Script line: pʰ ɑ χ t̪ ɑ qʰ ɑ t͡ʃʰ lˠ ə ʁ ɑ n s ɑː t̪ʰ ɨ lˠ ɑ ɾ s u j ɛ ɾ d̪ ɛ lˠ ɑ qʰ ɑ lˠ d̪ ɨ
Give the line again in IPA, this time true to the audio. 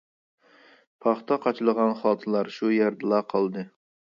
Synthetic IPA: pʰ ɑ χ t̪ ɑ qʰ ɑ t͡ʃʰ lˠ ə ʁ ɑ n χ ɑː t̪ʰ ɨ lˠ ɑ ɾ ʃ u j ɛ ɾ d̪ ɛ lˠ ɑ qʰ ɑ lˠ d̪ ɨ